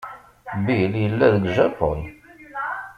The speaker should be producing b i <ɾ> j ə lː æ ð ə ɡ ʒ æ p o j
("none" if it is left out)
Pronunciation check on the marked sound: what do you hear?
l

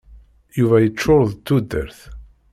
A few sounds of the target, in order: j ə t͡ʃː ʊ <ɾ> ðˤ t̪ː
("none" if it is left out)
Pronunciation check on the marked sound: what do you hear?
ɾ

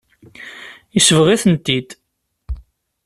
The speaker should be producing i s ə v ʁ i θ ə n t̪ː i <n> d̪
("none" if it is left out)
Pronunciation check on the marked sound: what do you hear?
none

